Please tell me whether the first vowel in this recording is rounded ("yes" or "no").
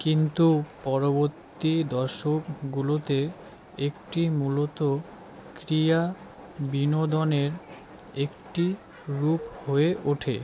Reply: no